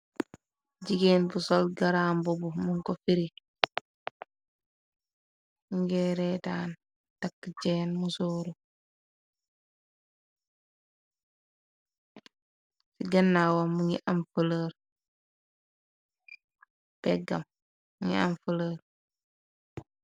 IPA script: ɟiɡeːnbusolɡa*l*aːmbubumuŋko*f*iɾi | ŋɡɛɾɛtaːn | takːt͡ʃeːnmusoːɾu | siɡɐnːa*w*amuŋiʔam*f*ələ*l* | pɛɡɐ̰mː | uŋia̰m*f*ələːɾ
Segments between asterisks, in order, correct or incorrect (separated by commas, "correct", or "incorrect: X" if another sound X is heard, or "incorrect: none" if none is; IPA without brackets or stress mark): incorrect: ɾ, correct, correct, correct, incorrect: ɾ, correct